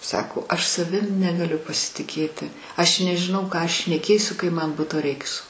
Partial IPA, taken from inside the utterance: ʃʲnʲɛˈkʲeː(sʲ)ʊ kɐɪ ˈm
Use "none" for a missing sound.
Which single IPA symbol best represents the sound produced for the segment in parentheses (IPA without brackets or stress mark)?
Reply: sʲ